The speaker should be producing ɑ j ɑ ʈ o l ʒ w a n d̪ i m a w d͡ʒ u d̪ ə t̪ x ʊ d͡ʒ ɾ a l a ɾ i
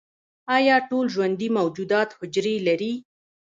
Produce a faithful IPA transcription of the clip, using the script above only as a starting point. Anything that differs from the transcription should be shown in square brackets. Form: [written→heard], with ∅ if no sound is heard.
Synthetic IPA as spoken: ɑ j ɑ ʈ o l ʒ w a n d̪ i m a w d͡ʒ u d̪ [ə→ɑ] t̪ [x→h] ʊ d͡ʒ ɾ [a→e] l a ɾ i